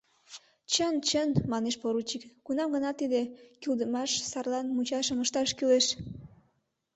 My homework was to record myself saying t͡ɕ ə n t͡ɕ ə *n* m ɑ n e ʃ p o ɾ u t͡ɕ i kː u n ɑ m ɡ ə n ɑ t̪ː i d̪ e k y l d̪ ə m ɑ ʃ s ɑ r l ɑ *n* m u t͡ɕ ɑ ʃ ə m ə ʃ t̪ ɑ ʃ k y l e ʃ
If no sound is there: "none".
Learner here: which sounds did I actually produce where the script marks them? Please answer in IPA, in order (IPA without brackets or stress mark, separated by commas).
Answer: n, n